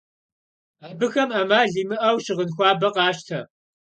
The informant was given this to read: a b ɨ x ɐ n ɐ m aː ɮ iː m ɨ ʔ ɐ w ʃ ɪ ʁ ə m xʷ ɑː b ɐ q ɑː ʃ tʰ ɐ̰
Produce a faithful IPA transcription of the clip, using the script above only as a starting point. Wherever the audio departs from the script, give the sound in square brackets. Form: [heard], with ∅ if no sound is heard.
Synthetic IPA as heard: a b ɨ x ɐ [m] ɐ m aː ɮ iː m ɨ ʔ ɐ w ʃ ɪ ʁ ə [n] xʷ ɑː b ɐ q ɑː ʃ tʰ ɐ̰